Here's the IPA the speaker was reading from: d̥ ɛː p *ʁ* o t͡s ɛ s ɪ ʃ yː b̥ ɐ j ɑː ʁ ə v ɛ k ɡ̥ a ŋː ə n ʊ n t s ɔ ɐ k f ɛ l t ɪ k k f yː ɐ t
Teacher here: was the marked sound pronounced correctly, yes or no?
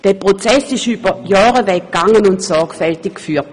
yes